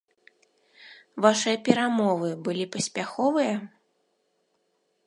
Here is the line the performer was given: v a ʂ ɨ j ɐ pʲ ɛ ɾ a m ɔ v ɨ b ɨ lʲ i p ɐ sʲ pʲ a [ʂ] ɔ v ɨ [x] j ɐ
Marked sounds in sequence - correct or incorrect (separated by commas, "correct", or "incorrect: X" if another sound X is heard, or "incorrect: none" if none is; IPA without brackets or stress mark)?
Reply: incorrect: x, incorrect: none